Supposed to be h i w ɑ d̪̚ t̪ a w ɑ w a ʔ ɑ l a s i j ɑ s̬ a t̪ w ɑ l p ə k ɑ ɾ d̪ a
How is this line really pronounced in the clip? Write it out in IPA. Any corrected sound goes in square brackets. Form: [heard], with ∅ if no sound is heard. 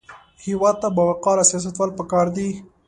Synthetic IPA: h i w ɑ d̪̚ t̪ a [b] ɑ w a [q] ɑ l a s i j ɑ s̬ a t̪ w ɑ l p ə k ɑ ɾ d̪ [i]